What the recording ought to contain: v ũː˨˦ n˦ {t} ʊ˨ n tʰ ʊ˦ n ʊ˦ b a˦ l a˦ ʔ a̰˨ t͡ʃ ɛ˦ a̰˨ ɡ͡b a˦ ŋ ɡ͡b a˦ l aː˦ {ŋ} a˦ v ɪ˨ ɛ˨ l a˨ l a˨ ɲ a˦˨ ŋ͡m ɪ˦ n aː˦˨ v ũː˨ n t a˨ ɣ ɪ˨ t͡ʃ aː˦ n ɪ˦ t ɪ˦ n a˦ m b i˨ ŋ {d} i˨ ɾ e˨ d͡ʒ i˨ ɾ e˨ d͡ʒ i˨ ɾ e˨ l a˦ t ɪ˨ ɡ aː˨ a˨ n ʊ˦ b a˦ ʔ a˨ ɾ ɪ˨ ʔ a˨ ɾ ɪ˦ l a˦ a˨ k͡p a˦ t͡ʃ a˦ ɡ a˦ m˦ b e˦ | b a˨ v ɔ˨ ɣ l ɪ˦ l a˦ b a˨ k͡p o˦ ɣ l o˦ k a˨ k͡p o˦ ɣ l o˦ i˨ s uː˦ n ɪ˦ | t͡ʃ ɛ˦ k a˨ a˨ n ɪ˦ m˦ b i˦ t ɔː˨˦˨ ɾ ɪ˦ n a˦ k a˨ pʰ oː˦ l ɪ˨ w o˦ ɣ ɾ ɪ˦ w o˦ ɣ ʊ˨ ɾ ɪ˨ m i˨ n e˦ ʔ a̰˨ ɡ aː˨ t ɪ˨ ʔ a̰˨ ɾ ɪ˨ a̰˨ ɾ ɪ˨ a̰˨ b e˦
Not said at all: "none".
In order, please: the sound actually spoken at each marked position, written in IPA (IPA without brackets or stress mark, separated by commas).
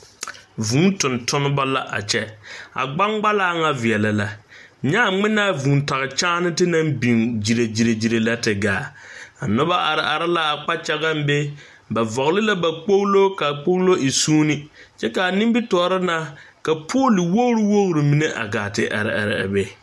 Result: t, ŋ, d͡ʒ